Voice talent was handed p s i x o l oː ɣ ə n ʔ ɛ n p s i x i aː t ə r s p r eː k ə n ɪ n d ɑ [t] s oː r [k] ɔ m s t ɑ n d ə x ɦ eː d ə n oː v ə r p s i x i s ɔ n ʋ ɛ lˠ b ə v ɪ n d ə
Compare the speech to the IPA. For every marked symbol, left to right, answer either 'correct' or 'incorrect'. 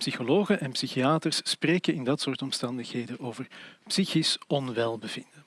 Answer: correct, incorrect: t

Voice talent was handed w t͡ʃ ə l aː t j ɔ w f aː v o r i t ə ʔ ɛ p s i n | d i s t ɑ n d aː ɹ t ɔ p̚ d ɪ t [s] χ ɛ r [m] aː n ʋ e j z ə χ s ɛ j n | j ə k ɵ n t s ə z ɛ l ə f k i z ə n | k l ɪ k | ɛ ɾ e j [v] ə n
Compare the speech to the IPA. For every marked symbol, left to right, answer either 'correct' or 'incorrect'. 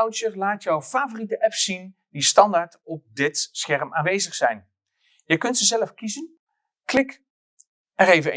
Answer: correct, correct, correct

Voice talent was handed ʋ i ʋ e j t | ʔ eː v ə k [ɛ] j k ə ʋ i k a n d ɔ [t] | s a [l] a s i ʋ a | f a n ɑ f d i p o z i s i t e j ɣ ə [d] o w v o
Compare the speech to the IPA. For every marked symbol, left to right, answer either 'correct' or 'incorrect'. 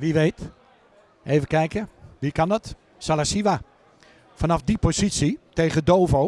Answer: correct, correct, correct, correct

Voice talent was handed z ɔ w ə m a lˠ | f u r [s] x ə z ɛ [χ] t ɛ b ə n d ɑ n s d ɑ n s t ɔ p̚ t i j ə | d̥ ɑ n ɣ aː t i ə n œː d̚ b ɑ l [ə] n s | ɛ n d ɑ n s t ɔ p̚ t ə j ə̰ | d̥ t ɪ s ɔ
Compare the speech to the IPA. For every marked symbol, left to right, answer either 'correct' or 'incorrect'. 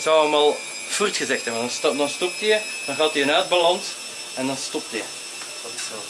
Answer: incorrect: t, incorrect: x, incorrect: ɑ

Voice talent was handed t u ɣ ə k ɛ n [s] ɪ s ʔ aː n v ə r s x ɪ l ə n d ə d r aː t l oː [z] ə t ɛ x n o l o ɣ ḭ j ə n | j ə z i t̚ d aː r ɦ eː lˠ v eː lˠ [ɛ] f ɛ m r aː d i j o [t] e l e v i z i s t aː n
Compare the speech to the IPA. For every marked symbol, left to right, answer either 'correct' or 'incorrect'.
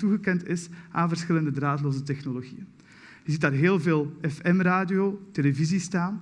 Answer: incorrect: t, correct, correct, correct

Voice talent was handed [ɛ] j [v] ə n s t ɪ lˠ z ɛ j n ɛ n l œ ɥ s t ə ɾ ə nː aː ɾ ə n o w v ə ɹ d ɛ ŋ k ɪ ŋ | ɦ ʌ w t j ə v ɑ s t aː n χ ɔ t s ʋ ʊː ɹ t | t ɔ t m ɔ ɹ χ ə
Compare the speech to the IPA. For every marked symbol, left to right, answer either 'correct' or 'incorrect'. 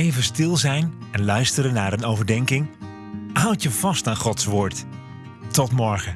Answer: incorrect: e, correct

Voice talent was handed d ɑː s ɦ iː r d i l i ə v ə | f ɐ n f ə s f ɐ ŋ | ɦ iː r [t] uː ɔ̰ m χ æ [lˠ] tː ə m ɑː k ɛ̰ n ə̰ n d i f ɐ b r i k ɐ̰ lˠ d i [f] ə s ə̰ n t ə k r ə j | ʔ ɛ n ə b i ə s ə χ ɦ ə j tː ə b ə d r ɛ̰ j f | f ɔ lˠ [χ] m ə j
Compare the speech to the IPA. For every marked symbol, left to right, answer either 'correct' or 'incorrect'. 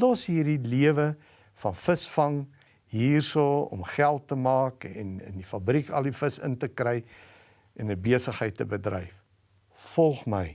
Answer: incorrect: s, correct, correct, correct

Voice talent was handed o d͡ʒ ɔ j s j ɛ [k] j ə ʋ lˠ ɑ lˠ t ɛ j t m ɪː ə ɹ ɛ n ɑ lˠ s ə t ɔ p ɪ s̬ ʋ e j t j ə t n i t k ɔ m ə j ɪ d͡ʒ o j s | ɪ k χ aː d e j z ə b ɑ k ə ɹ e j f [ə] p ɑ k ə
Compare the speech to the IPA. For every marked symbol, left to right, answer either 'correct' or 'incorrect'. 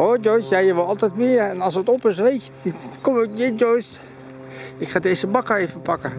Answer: incorrect: none, correct

